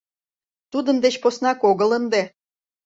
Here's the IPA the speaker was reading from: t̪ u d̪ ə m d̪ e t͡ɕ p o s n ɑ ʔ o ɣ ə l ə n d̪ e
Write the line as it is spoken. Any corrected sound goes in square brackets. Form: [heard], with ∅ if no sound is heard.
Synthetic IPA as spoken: t̪ u d̪ ə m d̪ e t͡ɕ p o s n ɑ [k] o ɣ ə l ə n d̪ e